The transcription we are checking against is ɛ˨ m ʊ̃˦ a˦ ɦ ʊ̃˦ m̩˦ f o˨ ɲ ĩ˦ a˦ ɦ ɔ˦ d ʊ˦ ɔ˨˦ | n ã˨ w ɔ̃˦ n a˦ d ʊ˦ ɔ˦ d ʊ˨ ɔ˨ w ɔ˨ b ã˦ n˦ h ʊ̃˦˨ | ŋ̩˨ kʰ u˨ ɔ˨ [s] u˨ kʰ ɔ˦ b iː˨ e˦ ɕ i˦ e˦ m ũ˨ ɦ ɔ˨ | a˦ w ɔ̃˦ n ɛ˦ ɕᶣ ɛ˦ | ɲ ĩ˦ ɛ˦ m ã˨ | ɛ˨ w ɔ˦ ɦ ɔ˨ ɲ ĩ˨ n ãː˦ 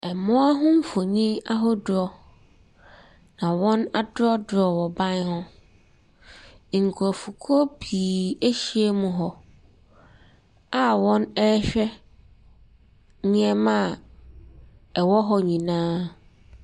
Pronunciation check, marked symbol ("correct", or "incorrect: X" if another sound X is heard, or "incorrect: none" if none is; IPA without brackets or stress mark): incorrect: f